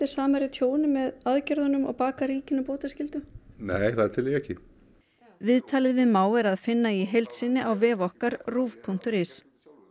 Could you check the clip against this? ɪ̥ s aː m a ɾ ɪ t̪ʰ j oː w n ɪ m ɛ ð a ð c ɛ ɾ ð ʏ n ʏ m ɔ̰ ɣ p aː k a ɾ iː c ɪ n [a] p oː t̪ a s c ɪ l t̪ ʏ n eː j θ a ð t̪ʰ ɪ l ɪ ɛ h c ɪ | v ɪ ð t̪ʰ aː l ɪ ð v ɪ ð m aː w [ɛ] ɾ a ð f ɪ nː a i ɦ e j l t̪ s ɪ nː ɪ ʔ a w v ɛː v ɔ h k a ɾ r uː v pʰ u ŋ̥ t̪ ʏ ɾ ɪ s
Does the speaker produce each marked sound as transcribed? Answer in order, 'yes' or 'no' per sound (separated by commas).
yes, yes